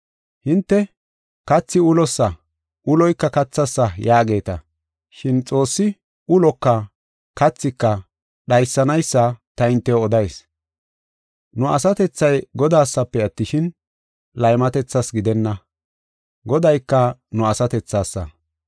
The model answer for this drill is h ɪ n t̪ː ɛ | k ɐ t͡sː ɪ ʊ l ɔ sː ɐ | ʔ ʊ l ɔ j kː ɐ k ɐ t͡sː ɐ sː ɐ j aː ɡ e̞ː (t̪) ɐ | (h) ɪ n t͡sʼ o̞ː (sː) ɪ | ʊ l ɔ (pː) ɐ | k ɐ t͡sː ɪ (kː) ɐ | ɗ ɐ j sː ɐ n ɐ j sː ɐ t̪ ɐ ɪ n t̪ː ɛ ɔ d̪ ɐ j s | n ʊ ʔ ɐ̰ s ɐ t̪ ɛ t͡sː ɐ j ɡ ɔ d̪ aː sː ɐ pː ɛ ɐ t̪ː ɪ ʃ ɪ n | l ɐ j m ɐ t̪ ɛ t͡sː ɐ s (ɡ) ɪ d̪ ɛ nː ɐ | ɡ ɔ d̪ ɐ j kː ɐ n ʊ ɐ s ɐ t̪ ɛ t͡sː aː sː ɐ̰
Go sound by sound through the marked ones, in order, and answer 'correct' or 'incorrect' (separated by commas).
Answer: correct, incorrect, correct, incorrect, correct, correct